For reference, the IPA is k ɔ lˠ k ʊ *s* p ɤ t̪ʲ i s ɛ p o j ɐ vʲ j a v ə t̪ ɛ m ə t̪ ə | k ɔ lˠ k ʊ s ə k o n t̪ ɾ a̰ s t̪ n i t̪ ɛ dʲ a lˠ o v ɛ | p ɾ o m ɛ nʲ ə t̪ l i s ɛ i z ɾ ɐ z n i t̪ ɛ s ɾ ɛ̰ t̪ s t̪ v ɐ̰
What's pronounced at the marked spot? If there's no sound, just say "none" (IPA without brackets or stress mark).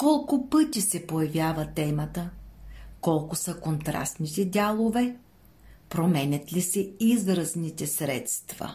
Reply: none